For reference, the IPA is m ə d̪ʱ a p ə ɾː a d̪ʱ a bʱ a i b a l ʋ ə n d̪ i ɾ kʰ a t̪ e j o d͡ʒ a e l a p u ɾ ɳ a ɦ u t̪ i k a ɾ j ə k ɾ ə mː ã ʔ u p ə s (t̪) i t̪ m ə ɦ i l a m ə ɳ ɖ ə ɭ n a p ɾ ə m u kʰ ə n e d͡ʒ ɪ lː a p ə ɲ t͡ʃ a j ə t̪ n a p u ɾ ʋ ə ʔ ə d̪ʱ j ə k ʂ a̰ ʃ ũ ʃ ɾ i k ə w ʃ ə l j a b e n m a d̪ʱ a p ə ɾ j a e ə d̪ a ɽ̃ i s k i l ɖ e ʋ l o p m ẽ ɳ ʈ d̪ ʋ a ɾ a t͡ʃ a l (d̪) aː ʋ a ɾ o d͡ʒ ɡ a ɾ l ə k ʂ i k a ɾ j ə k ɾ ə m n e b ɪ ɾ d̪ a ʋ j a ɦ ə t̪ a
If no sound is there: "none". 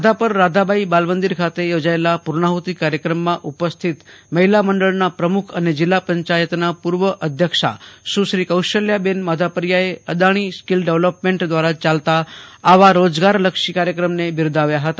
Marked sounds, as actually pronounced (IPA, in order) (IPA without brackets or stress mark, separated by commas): t̪ʰ, t̪